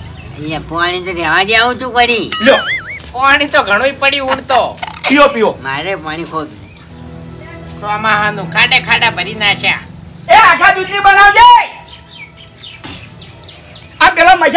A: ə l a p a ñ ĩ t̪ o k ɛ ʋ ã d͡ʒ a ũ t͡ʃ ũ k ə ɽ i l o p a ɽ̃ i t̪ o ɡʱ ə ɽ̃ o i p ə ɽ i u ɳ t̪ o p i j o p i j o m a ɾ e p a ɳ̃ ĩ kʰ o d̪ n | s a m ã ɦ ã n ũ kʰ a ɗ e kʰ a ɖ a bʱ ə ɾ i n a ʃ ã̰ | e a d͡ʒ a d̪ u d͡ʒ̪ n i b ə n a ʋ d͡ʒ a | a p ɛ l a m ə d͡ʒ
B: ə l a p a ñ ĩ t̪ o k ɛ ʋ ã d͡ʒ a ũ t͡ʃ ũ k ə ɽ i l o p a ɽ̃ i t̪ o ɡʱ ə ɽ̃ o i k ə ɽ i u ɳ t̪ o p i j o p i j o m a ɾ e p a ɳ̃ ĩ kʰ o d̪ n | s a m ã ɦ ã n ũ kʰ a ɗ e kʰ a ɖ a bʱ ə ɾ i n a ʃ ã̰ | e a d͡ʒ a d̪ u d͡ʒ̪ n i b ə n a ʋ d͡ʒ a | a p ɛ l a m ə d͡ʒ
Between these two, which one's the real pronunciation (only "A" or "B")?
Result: A